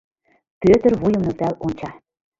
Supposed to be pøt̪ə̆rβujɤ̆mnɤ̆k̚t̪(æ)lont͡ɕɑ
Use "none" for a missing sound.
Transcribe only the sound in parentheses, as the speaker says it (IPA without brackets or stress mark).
æ